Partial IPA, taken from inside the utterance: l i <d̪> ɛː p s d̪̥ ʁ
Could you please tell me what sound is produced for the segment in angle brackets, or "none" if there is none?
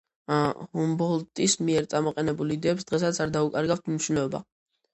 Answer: d̪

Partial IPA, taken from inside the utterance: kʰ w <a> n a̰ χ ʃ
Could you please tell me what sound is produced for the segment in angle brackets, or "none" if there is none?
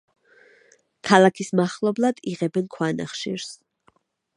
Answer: a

